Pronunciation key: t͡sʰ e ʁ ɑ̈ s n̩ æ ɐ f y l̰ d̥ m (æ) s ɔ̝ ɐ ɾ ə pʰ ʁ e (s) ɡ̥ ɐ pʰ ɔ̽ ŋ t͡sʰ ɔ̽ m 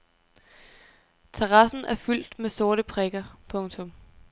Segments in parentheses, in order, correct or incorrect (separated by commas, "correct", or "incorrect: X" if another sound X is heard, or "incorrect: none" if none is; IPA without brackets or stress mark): incorrect: e, incorrect: none